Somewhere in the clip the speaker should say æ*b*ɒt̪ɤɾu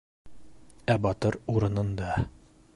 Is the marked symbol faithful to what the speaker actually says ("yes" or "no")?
yes